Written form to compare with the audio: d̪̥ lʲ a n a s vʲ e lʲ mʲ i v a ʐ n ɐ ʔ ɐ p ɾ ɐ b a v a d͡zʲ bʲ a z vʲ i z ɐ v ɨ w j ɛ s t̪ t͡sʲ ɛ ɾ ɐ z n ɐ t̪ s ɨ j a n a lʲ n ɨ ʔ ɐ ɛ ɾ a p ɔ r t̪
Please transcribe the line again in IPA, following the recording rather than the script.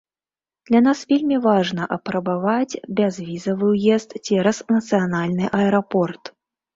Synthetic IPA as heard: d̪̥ lʲ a n a s vʲ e lʲ mʲ i v a ʐ n ɐ ʔ ɐ p ɾ ɐ b a v a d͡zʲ bʲ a z vʲ i z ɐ v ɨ w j ɛ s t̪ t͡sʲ ɛ ɾ ɐ s n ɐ t̪ s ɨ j a n a lʲ n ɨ ʔ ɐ ɛ ɾ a p ɔ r t̪